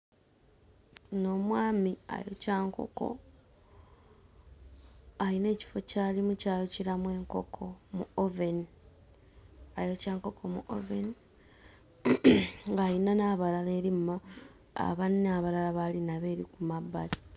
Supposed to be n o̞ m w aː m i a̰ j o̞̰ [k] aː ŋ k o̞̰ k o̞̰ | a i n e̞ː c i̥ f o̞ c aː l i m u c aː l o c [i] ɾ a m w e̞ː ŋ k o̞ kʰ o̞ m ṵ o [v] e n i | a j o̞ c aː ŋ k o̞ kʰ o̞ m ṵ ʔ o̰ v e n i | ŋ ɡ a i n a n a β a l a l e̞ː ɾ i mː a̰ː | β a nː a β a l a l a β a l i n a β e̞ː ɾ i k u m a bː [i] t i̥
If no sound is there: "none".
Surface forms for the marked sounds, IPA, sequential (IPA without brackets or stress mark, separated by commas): c, i, v, a